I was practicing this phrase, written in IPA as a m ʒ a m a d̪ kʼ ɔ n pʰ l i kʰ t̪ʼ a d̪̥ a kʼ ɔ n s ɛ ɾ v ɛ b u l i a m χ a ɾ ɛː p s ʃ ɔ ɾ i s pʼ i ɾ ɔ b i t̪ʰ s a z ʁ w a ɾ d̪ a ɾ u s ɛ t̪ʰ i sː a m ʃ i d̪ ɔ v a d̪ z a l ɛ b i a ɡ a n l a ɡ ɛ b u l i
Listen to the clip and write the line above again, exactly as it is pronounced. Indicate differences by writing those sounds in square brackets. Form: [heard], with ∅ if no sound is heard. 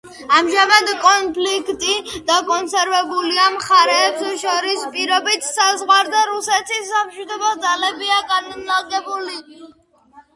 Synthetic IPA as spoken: a m ʒ a m a d̪ kʼ ɔ n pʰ l i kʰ t̪ʼ [i] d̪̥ a kʼ ɔ n s ɛ ɾ v ɛ b u l i a m χ a ɾ ɛː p s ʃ ɔ ɾ i s pʼ i ɾ ɔ b i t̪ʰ s a z ʁ w a ɾ d̪ a ɾ u s ɛ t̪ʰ i sː a m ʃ i d̪ ɔ [b] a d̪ z a l ɛ b i a ɡ a n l a ɡ ɛ b u l i